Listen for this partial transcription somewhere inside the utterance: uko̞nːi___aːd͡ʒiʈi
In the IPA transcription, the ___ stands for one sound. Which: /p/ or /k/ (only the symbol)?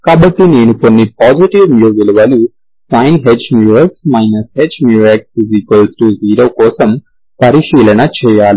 p